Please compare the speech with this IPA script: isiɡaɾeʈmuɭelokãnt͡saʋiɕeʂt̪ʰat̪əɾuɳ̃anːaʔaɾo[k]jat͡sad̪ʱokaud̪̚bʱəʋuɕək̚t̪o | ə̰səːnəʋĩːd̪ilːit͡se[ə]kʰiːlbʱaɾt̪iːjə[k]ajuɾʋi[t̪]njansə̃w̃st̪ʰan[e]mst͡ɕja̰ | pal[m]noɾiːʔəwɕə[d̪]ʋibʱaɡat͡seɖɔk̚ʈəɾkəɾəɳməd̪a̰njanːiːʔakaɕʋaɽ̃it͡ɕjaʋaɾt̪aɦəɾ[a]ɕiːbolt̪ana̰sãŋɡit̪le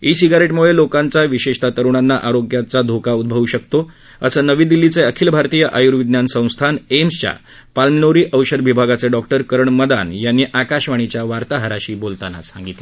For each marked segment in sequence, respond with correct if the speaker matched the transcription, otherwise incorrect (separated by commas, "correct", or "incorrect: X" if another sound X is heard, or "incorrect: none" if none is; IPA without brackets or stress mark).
incorrect: ɡ, correct, incorrect: ʔ, incorrect: d̪, correct, correct, correct, correct